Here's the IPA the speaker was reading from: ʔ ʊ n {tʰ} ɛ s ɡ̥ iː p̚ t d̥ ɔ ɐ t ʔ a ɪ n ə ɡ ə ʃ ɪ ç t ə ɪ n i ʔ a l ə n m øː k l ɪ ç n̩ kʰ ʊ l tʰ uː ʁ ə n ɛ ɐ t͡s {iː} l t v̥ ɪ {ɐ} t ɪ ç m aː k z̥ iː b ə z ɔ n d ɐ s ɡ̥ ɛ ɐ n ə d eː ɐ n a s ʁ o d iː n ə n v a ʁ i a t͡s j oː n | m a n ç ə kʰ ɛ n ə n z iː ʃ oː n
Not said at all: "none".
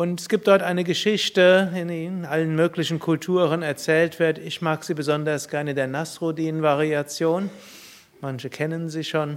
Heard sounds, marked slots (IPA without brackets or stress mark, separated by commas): t, ɛː, ɐ